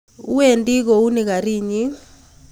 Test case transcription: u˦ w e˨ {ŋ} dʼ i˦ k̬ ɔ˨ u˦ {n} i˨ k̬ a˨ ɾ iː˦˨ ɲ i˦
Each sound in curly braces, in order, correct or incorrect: incorrect: n, correct

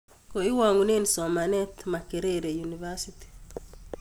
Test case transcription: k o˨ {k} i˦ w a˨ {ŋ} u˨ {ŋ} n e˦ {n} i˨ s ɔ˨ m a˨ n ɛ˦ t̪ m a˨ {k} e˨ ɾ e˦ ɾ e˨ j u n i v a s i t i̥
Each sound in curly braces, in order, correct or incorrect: incorrect: none, correct, incorrect: none, correct, correct

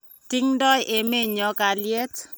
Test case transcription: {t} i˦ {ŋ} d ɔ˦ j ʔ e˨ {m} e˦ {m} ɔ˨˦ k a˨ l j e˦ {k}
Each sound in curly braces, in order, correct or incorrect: correct, correct, correct, incorrect: ɲ, incorrect: t

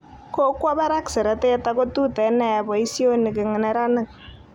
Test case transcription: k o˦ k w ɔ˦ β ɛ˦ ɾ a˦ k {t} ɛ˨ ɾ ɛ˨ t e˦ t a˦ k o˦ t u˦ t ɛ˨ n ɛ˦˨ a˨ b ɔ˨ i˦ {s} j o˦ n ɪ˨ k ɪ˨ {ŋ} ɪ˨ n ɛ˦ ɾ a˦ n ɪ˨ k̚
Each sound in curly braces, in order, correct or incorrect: incorrect: s, correct, correct

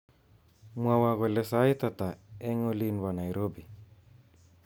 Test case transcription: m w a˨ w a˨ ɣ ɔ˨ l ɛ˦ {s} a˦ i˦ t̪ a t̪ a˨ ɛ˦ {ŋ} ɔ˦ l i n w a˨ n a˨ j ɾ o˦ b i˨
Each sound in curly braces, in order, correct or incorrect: correct, correct

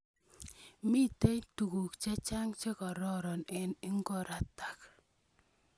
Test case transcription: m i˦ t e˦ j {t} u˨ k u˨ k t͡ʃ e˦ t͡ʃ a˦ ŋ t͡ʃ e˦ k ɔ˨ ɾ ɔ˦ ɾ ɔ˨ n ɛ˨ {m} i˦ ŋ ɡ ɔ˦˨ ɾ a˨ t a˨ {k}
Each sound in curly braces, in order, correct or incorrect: correct, incorrect: n, correct

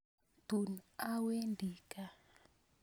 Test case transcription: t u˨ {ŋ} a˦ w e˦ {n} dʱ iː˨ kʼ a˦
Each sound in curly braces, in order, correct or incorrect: incorrect: n, correct

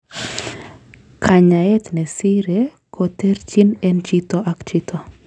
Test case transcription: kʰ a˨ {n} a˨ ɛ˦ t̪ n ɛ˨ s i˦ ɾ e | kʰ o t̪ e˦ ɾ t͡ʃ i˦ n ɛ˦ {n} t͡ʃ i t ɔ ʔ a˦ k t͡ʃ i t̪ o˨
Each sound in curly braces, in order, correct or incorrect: incorrect: ɲ, correct

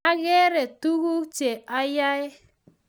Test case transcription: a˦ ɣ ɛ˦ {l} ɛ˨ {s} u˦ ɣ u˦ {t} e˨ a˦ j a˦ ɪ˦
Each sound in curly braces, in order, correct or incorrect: incorrect: ɾ, incorrect: t, incorrect: t͡ʃ

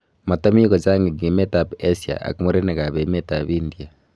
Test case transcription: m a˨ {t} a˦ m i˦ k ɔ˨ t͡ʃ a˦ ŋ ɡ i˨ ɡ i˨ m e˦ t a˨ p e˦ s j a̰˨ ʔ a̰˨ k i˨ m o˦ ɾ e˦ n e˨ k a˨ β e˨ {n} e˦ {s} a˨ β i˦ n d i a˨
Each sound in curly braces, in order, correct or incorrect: correct, incorrect: m, incorrect: t

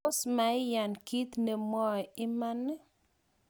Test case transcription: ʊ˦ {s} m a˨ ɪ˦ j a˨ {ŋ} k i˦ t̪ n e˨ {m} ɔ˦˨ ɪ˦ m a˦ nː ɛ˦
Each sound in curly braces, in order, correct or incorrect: correct, incorrect: n, correct

